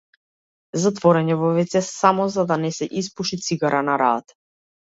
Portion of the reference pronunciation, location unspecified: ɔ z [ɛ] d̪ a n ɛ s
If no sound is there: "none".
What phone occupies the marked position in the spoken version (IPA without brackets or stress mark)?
a